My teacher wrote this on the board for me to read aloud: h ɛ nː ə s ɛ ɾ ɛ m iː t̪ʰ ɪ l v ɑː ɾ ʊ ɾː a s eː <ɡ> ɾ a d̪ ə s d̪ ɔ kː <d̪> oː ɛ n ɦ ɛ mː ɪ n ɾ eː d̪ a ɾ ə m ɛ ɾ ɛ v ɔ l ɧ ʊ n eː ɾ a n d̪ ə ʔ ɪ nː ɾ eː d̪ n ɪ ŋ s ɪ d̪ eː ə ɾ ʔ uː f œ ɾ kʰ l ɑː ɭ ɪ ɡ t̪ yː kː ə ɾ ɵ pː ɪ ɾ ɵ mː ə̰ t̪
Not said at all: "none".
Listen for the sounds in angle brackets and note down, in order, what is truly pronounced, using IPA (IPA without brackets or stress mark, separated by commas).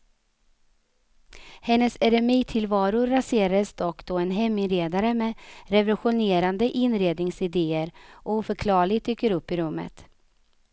none, d̪